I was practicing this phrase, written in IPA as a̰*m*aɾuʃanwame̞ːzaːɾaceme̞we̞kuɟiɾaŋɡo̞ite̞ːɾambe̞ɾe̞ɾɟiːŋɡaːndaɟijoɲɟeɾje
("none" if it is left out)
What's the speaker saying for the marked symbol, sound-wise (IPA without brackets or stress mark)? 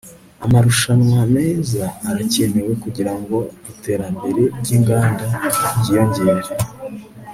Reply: m